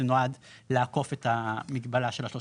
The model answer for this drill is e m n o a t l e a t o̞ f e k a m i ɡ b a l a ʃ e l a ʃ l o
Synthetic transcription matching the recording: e n o a d l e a k o̞ f e t a m i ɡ b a l a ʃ e l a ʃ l o